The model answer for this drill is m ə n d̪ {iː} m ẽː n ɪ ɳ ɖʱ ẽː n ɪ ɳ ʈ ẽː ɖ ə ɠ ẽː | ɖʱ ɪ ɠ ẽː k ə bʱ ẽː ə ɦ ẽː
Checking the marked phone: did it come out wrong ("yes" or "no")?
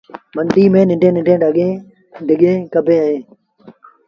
no